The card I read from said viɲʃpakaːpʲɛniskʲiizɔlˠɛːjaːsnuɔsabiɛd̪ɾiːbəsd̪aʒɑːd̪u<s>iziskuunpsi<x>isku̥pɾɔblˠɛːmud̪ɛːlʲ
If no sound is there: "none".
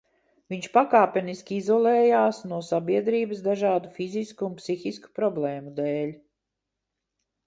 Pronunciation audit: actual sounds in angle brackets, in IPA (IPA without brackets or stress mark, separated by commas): f, x